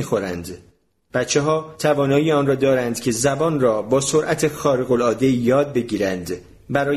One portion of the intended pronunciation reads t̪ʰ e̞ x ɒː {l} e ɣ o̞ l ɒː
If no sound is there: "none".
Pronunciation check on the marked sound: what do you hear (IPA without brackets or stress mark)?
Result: ɾ